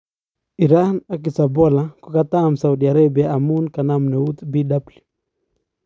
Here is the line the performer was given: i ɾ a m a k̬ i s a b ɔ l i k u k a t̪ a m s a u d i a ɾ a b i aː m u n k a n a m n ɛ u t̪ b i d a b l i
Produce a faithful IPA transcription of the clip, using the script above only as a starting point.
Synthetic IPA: i ɾ a n a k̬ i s a b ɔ l a k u k a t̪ a m s a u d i a ɾ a b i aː m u n k a n a m n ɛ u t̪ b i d a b l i